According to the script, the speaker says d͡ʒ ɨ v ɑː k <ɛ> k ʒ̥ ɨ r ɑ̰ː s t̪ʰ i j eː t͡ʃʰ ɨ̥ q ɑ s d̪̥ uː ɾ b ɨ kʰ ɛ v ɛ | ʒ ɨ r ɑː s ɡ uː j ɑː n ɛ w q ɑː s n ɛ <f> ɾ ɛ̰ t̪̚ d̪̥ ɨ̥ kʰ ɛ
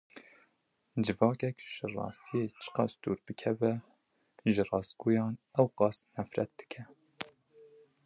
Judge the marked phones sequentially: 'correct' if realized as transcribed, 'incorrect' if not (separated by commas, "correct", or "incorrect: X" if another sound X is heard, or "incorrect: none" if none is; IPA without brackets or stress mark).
correct, correct